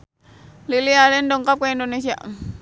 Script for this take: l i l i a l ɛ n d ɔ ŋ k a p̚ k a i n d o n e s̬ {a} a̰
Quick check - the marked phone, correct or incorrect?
incorrect